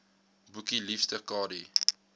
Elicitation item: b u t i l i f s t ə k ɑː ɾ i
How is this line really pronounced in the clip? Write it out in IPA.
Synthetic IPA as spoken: b u k i l i f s t ə k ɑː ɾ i